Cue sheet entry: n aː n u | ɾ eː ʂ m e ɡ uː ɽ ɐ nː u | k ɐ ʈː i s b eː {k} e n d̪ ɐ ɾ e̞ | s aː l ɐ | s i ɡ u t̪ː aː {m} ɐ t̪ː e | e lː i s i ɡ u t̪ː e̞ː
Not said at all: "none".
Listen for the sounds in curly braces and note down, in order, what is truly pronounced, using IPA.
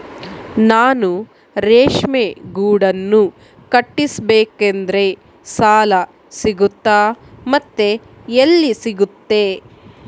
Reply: k, m

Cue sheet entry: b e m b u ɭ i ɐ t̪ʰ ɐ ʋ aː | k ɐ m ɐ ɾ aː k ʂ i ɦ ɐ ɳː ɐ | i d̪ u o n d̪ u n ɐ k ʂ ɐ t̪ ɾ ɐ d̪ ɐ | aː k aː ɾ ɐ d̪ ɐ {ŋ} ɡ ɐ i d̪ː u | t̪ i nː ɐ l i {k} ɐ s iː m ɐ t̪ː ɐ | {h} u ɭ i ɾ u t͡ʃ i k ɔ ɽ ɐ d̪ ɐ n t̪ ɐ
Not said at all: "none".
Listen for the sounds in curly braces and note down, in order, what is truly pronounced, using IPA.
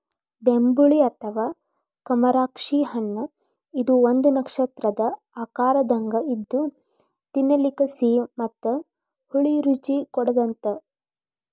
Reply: ŋ, k, h

